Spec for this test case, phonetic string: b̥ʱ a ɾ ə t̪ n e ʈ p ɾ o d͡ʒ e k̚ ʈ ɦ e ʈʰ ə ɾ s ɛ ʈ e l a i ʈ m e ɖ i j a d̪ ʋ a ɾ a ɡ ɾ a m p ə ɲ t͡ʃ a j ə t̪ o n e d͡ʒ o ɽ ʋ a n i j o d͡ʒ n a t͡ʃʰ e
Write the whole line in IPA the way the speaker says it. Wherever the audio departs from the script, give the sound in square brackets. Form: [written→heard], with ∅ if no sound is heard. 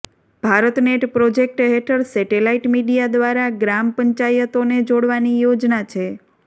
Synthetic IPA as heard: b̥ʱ a ɾ ə t̪ n e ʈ p ɾ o d͡ʒ e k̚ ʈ ɦ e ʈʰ ə ɾ s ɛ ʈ e l a i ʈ m [e→i] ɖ i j a d̪ ʋ a ɾ a ɡ ɾ a m p ə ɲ t͡ʃ a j ə t̪ o n e d͡ʒ o ɽ ʋ a n i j o d͡ʒ n a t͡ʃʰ e